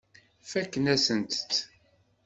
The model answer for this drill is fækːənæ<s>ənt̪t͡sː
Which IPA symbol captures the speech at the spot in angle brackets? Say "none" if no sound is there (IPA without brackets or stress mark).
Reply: s